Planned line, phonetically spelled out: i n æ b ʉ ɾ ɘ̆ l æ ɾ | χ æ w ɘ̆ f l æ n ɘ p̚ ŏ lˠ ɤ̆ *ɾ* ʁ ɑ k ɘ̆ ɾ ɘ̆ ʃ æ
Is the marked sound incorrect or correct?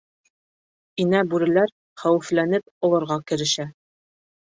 correct